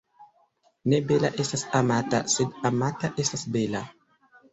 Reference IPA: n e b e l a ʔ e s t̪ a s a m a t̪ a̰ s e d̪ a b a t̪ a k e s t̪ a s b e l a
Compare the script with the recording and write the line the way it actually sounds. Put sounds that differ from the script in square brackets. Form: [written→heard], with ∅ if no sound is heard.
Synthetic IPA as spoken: n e b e l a ʔ e s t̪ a s a m a t̪ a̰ s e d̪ a [b→m] a t̪ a [k→ʔ] e s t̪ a s b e l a